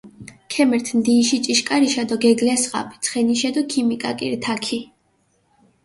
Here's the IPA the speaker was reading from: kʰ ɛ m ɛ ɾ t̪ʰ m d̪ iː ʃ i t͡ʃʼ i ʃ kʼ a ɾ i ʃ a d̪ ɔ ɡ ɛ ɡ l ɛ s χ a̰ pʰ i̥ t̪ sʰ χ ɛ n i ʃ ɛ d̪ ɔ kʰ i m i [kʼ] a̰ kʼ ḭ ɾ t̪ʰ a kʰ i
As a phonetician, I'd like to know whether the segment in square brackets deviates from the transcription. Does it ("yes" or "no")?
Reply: no